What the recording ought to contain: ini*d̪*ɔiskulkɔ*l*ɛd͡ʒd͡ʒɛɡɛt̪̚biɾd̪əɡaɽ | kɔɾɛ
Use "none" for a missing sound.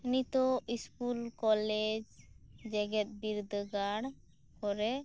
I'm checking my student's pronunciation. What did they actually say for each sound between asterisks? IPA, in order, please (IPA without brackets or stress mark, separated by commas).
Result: t̪, l